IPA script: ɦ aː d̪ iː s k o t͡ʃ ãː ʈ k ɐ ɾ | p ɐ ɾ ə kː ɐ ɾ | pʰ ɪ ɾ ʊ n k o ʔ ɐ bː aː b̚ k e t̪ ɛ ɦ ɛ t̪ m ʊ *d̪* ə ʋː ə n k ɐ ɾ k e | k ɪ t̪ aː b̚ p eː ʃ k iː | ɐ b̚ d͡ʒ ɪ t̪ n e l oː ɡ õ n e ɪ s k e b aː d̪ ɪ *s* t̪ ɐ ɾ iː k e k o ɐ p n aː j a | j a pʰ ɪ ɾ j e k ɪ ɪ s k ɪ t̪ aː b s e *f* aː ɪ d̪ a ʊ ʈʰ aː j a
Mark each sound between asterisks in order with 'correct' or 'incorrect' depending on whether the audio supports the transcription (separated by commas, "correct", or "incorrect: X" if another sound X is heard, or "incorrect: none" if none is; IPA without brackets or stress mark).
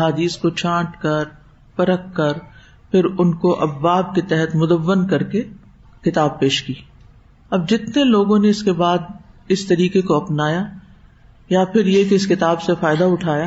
correct, correct, correct